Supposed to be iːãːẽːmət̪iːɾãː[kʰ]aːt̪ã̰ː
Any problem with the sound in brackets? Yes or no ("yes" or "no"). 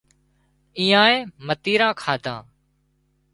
no